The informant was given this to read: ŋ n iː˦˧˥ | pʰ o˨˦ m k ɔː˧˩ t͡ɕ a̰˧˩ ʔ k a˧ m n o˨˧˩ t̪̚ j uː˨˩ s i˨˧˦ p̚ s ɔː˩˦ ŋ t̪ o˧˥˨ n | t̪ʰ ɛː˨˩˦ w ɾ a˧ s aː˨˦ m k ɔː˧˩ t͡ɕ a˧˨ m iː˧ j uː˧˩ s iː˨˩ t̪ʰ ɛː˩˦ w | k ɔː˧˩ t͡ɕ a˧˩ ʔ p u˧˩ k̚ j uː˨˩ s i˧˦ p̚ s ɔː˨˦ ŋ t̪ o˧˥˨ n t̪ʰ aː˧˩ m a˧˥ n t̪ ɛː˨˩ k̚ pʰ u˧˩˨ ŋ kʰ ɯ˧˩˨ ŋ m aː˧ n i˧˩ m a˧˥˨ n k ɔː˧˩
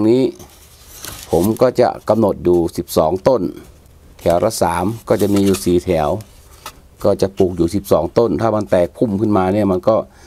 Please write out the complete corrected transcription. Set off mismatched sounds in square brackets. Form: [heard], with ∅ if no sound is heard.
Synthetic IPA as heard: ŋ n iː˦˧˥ | pʰ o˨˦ m k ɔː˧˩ t͡ɕ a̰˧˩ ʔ k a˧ m n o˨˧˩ t̪̚ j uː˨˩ s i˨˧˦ p̚ s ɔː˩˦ ŋ t̪ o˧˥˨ n | t̪ʰ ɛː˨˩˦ w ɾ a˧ s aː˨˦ m k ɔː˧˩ t͡ɕ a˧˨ m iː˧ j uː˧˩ s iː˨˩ t̪ʰ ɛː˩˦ w | k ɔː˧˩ t͡ɕ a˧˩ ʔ p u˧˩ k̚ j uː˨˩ s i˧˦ p̚ s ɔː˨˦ ŋ t̪ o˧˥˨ n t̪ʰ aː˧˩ m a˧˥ n t̪ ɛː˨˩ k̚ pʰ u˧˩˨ [m] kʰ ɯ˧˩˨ [n] m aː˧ n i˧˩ m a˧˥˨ n k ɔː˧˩